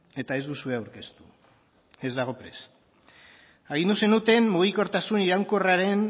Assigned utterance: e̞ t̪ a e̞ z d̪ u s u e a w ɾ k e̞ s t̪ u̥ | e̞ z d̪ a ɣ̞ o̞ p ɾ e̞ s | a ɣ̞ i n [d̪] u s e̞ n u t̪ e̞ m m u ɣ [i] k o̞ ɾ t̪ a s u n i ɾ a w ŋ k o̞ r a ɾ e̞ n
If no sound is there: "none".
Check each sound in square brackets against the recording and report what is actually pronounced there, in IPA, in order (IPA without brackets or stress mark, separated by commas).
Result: d̪, i